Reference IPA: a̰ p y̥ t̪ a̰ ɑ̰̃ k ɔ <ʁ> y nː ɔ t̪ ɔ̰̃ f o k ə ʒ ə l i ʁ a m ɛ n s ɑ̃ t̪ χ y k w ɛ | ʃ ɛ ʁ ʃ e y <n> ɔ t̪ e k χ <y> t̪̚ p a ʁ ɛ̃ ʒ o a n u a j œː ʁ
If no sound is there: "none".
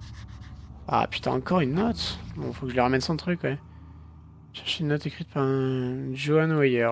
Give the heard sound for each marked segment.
ʁ, nː, i

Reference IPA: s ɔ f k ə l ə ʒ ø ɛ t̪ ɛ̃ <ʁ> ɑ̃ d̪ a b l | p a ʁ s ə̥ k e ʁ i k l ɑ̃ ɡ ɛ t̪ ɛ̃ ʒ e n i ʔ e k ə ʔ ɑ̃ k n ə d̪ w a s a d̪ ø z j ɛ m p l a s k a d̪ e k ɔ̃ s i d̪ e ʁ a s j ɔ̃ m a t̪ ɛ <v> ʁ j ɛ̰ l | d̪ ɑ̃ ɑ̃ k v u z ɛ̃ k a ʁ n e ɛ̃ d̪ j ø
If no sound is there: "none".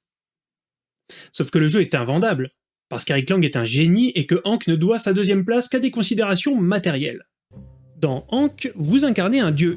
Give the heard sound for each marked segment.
v, none

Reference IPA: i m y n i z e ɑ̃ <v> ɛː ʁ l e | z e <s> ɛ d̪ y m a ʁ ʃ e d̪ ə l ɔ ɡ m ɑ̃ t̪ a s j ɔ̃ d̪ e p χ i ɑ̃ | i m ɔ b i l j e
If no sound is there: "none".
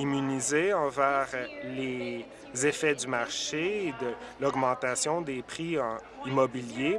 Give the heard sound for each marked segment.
v, f

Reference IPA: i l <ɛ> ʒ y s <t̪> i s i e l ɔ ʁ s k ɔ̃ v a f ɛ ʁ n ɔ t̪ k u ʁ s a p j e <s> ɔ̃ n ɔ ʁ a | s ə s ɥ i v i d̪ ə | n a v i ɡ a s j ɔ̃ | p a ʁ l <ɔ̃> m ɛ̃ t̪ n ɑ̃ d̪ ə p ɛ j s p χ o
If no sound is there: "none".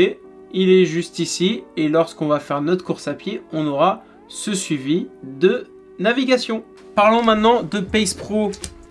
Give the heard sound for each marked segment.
ɛ, t̪, none, ɔ̃

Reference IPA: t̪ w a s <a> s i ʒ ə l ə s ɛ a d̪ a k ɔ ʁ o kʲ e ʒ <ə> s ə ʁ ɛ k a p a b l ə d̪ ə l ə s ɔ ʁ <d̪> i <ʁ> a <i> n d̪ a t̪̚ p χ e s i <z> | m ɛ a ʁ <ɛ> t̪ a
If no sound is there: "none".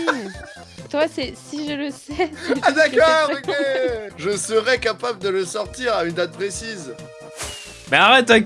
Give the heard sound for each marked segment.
ɛ, ə, t̪, ʁ, y, z, ɛ

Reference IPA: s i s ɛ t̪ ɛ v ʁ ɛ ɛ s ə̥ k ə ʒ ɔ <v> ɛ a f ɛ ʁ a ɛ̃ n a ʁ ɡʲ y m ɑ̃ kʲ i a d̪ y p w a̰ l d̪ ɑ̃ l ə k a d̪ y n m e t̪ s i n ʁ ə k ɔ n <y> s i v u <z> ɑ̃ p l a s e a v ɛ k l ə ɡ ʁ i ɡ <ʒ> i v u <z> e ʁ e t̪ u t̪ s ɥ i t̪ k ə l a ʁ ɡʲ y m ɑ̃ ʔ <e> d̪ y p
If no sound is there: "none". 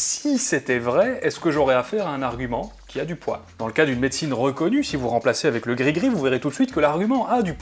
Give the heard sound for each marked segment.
ʁ, y, ʁ, ʁ, v, a

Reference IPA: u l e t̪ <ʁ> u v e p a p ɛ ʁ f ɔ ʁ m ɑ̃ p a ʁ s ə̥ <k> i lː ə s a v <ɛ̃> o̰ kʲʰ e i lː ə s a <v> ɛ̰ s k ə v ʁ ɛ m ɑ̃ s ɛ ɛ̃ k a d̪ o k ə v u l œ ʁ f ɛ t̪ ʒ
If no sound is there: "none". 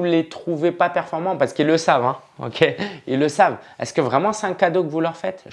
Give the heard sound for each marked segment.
χ, k, ɛ̃, v

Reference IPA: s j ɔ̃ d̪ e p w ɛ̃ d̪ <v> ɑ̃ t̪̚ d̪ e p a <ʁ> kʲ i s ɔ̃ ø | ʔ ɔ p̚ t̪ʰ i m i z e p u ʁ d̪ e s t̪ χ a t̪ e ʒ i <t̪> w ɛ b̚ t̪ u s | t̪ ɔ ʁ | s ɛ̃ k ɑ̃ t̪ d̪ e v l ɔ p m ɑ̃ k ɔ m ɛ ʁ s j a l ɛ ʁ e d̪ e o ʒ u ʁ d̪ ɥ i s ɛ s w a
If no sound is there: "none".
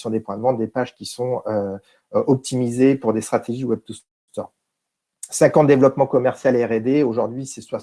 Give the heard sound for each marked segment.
v, ʒ, none

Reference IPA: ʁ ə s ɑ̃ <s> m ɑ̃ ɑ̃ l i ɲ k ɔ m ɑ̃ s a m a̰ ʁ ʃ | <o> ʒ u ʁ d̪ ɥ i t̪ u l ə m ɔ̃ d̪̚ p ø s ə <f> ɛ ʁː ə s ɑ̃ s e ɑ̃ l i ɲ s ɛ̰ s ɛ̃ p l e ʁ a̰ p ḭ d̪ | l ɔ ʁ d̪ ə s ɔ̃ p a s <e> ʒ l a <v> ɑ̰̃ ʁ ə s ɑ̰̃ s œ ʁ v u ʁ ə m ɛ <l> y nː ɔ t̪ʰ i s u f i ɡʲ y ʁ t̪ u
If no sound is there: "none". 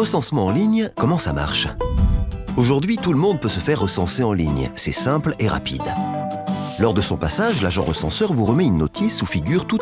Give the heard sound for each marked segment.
s, o, f, a, ʒ, none

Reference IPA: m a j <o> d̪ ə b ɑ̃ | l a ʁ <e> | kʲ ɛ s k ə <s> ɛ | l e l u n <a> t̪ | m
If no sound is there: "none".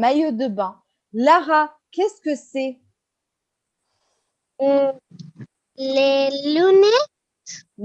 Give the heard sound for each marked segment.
o, a, s, ɛ

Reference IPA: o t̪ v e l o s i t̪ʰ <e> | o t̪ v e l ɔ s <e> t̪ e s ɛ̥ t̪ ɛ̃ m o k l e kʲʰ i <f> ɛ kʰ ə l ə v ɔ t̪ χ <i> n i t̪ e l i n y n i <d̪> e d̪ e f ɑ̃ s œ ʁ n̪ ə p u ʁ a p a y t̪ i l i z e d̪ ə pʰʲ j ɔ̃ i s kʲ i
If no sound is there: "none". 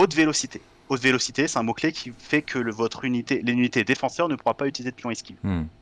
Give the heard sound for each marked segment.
e, i, f, y, t̪

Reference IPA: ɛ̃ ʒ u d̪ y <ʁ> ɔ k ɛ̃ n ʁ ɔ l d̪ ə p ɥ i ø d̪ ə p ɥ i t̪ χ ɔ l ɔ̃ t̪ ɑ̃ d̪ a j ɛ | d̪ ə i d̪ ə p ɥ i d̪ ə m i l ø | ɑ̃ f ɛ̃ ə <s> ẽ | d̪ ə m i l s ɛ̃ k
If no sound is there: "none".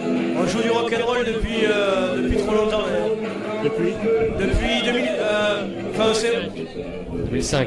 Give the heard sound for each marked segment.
ʁ, s

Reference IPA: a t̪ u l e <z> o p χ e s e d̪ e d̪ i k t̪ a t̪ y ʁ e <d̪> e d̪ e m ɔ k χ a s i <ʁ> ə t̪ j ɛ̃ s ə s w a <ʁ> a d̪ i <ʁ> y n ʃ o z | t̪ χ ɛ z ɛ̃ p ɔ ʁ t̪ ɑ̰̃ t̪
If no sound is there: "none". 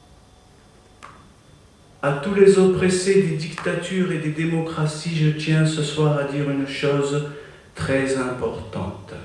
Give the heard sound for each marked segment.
z, d̪, ʒ, ʁ, ʁ

